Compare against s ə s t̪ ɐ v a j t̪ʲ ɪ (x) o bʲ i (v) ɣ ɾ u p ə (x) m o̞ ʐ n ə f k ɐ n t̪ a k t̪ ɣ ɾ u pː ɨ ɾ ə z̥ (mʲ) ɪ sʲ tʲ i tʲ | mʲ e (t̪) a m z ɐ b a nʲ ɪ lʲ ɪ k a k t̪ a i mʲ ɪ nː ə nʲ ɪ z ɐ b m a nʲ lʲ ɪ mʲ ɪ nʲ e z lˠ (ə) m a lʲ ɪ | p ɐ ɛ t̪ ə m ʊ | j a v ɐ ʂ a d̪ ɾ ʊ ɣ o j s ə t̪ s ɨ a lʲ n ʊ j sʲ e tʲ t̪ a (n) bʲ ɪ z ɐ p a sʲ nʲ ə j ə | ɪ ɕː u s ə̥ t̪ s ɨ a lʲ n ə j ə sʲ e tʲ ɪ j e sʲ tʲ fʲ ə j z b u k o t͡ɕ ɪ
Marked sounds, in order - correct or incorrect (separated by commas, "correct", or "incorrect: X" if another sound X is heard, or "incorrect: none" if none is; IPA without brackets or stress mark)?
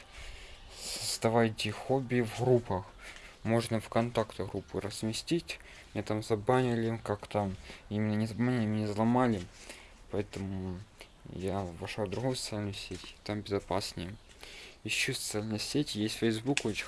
correct, correct, correct, correct, correct, incorrect: ɐ, incorrect: m